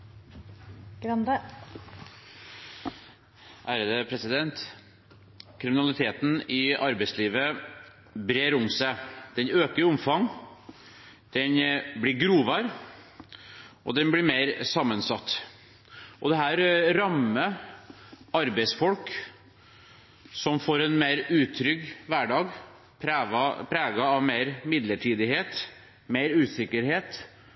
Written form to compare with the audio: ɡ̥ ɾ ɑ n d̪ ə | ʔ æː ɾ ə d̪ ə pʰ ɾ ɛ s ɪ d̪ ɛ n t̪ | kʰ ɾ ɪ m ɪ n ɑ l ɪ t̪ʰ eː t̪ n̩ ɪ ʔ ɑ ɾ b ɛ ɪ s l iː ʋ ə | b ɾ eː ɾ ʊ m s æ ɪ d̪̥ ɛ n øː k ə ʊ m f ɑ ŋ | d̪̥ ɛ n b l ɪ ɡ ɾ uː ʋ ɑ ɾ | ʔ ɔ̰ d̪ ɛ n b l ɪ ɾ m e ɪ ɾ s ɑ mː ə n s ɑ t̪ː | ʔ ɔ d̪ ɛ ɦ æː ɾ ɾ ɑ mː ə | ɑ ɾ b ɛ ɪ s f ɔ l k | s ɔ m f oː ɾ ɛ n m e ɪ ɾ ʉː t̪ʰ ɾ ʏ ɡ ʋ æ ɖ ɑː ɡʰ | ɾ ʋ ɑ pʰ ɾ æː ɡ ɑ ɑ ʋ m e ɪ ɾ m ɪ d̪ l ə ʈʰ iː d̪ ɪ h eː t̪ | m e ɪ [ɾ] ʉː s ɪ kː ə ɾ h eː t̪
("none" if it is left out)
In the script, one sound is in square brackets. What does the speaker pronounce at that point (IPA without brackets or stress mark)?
ɾ